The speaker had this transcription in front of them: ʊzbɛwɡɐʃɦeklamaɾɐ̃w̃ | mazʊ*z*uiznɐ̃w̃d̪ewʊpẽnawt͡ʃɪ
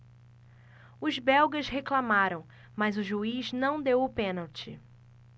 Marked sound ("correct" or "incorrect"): incorrect